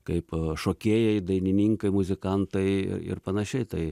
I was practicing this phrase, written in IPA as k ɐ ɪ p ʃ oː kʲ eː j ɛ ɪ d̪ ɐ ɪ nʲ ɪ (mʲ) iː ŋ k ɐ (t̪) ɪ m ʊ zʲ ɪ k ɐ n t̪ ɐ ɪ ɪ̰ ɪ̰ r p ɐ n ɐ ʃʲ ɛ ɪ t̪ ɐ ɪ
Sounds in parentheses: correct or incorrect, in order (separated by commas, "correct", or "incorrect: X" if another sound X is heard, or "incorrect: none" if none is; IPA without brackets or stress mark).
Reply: incorrect: nʲ, incorrect: none